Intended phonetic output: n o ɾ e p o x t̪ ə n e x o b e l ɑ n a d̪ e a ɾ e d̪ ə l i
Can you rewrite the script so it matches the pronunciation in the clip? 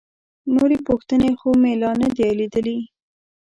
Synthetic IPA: n o ɾ e p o x t̪ ə n e x o m e l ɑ n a d̪ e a l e d̪ ə l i